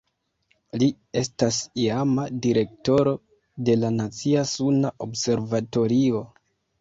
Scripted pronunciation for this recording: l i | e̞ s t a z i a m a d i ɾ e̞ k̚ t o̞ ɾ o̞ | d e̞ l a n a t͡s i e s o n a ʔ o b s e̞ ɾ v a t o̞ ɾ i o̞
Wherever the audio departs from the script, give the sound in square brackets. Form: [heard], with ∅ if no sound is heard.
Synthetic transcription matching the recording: l i | e̞ s t a [s] i a m a d i ɾ e̞ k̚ t o̞ ɾ o̞ | d e̞ l a n a t͡s i [a] s [u] n a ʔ o b s e̞ ɾ v a t o̞ ɾ i o̞